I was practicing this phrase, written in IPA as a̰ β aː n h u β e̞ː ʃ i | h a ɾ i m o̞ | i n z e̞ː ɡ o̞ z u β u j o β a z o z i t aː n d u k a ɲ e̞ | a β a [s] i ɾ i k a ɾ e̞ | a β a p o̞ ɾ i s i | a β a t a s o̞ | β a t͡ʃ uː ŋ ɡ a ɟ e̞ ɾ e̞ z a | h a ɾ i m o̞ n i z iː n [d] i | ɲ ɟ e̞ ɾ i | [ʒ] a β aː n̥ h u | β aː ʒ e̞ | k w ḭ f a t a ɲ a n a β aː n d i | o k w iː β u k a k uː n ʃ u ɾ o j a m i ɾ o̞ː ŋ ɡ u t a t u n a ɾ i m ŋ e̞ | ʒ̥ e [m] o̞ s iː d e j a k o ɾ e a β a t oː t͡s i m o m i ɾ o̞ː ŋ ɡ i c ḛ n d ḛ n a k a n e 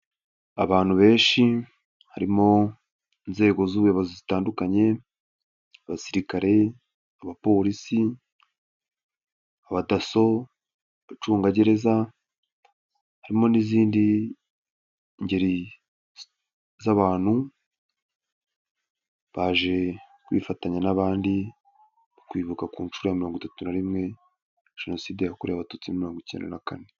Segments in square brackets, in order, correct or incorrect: correct, correct, incorrect: z, incorrect: n

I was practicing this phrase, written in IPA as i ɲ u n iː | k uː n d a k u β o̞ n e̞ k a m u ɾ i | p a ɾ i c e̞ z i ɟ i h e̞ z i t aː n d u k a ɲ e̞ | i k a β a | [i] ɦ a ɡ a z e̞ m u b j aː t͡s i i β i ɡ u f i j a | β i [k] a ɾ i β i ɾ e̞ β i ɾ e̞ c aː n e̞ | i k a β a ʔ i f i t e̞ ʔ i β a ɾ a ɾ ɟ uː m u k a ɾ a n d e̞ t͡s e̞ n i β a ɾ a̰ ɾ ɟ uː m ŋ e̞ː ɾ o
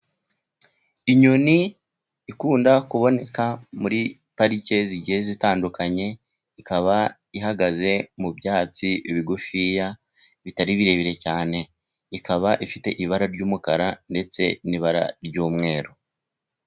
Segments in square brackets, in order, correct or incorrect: correct, incorrect: t

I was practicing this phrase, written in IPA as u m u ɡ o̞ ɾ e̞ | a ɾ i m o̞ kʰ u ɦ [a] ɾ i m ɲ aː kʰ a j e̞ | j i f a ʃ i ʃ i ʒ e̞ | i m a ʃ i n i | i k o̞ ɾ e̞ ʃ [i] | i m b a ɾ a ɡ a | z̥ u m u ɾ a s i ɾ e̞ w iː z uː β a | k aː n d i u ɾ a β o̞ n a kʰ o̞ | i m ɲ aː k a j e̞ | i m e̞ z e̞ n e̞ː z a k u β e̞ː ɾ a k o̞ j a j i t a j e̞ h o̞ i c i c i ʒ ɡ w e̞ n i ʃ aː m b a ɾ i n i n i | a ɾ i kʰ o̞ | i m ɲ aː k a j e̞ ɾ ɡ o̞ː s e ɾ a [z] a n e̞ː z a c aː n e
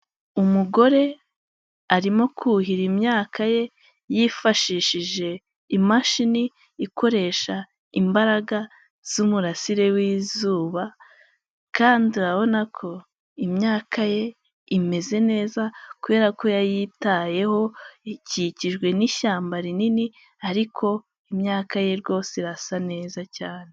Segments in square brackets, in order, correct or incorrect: incorrect: i, incorrect: a, incorrect: s

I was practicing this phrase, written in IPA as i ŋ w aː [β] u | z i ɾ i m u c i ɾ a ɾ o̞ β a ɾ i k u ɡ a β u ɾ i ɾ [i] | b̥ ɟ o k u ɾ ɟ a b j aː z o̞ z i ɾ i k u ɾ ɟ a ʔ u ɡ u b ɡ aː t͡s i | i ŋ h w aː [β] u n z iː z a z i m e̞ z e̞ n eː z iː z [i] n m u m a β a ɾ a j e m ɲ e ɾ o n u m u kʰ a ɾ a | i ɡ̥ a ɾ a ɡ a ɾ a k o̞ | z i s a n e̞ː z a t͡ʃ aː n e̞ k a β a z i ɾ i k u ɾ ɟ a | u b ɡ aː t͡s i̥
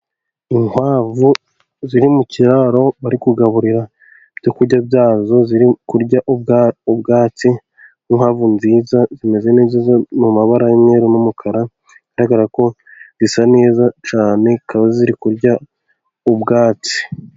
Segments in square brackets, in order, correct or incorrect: incorrect: v, incorrect: a, incorrect: v, incorrect: a

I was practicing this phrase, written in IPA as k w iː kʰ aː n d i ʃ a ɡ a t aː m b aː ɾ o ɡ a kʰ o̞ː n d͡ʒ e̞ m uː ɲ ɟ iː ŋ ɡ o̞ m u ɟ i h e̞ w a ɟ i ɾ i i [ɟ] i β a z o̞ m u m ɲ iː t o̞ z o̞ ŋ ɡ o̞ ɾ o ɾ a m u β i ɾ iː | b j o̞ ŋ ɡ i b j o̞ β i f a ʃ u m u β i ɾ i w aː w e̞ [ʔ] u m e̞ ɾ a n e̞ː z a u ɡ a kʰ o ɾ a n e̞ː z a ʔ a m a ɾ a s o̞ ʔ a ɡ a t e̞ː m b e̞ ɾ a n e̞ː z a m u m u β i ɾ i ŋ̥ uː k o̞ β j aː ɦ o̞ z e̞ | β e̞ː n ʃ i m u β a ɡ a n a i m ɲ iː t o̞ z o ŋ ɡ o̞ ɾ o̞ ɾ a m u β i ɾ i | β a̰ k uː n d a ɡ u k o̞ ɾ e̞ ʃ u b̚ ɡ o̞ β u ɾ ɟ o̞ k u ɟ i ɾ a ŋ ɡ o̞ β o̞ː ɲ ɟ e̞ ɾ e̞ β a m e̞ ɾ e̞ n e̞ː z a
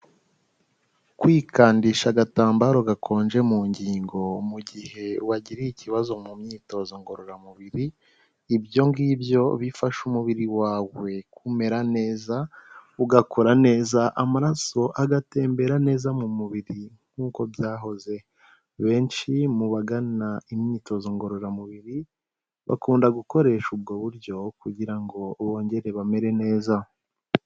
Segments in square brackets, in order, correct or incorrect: incorrect: c, incorrect: k

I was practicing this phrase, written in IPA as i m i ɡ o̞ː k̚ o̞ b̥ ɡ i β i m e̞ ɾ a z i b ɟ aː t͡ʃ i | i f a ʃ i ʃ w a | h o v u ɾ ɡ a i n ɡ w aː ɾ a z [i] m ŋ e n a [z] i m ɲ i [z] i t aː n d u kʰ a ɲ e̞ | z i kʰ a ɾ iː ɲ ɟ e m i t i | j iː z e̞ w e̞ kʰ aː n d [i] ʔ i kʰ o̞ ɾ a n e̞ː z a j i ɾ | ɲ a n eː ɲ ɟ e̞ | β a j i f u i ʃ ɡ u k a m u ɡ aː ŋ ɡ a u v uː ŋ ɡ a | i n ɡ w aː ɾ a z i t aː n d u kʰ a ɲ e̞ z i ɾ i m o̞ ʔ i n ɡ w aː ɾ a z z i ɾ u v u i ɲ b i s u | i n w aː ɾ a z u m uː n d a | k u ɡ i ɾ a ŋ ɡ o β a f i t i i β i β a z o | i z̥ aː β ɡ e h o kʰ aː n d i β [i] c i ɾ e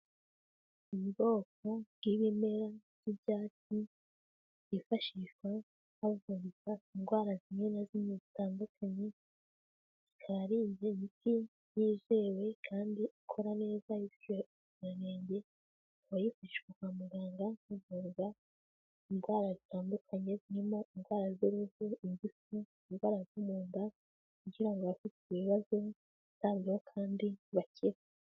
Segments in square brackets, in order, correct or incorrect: correct, correct, correct, correct, incorrect: a

